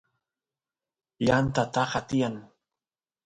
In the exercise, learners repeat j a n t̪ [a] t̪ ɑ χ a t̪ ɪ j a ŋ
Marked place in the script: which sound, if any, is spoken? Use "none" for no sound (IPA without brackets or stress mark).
a